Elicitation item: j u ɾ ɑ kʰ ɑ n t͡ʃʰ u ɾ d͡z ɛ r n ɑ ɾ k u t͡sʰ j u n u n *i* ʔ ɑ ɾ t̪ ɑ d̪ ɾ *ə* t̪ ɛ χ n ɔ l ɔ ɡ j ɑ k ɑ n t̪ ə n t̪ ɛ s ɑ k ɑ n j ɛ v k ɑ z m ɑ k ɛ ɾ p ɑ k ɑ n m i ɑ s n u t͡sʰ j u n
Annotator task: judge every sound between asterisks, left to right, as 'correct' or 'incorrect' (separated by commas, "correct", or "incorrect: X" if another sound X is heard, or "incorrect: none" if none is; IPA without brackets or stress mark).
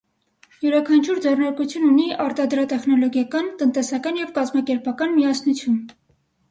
correct, incorrect: ɑ